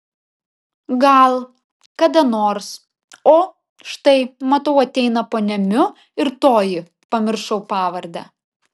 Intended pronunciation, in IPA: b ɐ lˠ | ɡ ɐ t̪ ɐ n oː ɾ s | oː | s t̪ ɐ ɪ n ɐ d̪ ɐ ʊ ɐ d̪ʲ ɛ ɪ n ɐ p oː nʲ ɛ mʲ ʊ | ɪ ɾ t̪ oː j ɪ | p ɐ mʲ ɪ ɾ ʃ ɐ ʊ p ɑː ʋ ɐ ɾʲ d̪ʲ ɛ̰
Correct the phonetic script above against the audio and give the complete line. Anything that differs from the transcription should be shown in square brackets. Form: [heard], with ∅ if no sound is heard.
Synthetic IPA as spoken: [ɡ] ɐ lˠ | [k] ɐ [d̪] ɐ n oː ɾ s | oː | [ʃ] t̪ ɐ ɪ [m] ɐ [t̪] ɐ ʊ ɐ [t̪ʲ] ɛ ɪ n ɐ p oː nʲ ɛ mʲ ʊ | ɪ ɾ t̪ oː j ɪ | p ɐ mʲ ɪ ɾ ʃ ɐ ʊ p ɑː ʋ ɐ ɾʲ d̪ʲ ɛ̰